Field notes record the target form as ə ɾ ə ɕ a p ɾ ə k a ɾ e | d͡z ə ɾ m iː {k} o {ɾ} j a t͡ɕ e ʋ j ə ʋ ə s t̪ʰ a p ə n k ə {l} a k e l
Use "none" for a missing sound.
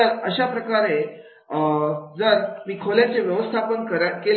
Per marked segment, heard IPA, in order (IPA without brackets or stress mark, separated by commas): kʰ, l, ɾ